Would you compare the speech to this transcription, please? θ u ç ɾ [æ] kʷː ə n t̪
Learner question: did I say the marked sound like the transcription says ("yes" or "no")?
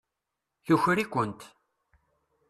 no